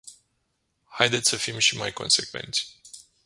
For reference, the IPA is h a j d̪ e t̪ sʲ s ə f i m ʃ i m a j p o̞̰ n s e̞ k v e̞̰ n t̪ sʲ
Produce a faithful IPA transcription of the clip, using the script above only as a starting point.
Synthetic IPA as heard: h a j d̪ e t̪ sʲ s ə f i m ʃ i m a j k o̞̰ n s e̞ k v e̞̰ n t̪ sʲ